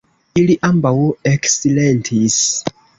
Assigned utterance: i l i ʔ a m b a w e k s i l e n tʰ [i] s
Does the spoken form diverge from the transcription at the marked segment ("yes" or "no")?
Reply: no